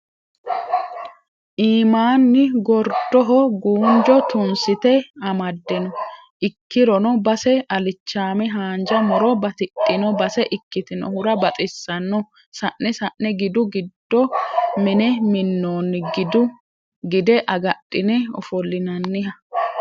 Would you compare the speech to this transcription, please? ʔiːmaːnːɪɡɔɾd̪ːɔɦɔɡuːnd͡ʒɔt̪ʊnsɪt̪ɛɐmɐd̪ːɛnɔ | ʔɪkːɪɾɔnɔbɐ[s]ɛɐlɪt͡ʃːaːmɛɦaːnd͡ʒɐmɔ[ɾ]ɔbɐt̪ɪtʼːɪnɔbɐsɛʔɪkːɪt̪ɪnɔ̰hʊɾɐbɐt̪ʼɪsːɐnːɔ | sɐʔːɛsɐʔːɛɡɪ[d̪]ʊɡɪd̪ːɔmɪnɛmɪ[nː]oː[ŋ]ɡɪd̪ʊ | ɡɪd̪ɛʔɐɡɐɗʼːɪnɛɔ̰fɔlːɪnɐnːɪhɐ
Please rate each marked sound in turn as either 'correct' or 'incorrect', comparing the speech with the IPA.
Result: correct, correct, correct, correct, incorrect

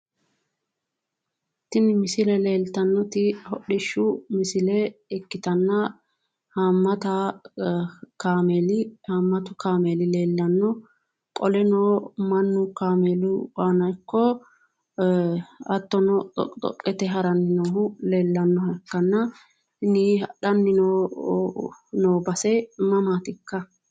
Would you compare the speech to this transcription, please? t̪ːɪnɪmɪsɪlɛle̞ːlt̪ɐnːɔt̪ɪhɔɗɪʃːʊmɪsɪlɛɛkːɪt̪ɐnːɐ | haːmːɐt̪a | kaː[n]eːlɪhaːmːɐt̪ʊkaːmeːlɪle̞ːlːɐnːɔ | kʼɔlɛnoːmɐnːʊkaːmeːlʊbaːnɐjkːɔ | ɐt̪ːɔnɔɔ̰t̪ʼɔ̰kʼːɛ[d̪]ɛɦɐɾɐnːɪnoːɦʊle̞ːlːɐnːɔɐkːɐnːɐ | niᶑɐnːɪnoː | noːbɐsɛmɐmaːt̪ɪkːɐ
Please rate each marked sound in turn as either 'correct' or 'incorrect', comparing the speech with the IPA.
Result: incorrect, incorrect

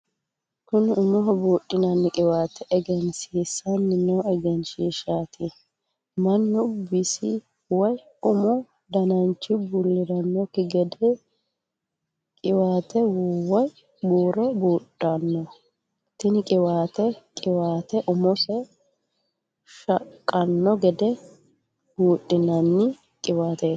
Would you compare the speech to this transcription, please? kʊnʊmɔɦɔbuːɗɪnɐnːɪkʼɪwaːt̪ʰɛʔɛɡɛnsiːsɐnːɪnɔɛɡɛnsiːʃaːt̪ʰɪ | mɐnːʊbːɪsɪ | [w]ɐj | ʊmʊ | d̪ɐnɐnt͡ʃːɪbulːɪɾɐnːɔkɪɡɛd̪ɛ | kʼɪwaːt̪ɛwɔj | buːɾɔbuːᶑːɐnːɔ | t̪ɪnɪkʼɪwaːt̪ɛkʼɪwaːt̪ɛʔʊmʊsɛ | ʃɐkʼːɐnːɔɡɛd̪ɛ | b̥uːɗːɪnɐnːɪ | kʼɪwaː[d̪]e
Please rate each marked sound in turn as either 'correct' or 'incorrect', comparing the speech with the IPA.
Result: correct, incorrect

